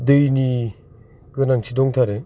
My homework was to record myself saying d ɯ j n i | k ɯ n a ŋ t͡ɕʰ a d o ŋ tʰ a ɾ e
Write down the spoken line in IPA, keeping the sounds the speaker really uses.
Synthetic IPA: d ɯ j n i | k ɯ n a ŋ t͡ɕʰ i d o ŋ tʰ a ɾ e